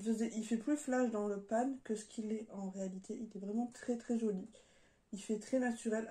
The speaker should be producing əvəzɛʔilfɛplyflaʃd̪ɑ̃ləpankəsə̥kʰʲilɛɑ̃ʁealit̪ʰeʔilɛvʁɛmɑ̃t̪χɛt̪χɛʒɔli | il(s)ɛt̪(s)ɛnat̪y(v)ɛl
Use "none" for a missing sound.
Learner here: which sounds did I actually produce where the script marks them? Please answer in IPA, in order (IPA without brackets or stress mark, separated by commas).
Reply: f, χ, ʁ